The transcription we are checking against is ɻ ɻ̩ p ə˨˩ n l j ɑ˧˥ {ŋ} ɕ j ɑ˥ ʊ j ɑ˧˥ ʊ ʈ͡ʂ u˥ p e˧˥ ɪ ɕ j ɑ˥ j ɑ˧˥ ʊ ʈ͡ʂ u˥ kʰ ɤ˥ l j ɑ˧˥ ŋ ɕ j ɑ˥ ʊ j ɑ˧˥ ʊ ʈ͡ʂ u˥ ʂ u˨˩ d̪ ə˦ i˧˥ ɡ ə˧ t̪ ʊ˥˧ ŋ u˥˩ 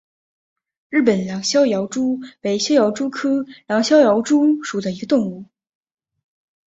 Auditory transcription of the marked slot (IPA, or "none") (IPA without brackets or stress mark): ŋ